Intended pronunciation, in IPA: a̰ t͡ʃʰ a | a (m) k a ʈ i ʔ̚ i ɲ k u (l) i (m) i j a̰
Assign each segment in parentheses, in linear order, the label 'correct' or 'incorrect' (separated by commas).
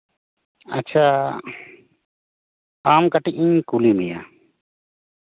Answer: correct, correct, correct